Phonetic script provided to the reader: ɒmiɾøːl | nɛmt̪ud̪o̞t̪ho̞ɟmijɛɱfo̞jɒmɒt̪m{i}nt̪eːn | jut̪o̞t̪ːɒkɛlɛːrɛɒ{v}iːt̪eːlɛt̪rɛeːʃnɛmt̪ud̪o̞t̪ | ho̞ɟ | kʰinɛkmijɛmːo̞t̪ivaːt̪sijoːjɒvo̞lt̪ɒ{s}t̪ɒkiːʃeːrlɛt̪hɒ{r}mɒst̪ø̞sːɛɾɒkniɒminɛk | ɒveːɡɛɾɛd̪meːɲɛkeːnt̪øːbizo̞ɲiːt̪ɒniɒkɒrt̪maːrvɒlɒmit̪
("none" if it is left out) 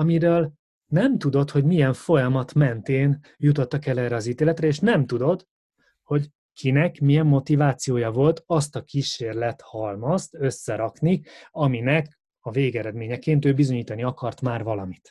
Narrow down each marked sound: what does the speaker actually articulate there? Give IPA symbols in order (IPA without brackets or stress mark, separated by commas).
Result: ɛ, z, s, l